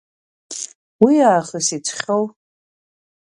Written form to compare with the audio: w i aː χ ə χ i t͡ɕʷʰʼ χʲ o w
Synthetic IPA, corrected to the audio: w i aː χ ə s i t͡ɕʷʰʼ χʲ o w